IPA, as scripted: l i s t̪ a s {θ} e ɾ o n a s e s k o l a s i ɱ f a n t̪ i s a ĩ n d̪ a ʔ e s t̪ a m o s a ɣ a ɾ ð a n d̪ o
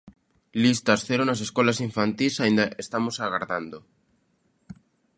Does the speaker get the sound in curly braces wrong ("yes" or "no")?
no